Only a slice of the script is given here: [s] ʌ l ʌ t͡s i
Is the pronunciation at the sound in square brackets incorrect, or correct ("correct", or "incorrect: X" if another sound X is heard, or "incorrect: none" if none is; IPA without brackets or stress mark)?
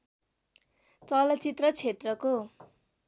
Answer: incorrect: t͡s